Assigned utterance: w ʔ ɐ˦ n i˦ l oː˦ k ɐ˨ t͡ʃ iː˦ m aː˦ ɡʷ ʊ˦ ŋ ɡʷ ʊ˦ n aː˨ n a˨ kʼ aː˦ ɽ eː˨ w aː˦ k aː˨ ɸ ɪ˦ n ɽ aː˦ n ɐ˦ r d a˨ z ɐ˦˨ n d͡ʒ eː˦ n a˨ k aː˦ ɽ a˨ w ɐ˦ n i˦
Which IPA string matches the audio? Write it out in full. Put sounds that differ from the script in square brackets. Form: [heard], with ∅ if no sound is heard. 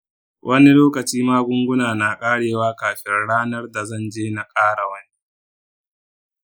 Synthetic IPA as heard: w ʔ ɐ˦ n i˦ l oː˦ k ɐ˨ t͡ʃ iː˦ m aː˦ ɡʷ ʊ˦ ŋ ɡʷ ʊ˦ n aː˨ n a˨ kʼ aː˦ ɽ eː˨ w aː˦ k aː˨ ɸ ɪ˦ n ɽ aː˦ n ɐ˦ r d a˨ z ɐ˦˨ n d͡ʒ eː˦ n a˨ [kʼ] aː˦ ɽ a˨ w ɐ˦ n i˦